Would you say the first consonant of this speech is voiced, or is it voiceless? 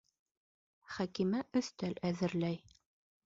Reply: voiceless